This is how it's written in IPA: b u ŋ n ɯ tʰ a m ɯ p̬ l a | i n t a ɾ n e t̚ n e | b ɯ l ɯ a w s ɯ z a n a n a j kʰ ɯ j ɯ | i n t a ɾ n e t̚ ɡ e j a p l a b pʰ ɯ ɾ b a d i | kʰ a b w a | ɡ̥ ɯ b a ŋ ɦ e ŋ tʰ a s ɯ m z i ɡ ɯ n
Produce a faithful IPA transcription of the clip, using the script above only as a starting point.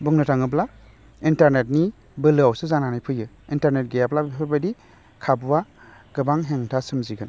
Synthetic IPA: b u ŋ n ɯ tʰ a ŋ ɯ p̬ l a | i n t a ɾ n e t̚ n i | b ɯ l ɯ a w s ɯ z a n a n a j pʰ ɯ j ɯ | i n t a ɾ n e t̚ ɡ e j a p l a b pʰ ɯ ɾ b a d i | kʰ a b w a | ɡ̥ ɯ b a ŋ ɦ e ŋ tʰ a s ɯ m z i ɡ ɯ n